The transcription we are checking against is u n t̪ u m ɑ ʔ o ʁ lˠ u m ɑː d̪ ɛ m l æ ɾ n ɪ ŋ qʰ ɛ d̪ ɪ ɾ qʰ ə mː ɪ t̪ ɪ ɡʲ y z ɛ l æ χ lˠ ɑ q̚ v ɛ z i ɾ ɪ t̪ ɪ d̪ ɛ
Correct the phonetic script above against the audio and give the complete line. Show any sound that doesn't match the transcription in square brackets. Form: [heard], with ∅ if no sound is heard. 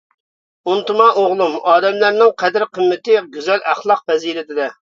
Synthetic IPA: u n t̪ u m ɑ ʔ o ʁ lˠ u m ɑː d̪ ɛ m l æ ɾ n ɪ ŋ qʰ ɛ d̪ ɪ ɾ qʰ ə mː ɪ t̪ ɪ ɡʲ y z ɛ l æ χ lˠ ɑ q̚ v ɛ z i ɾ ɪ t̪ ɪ d̪ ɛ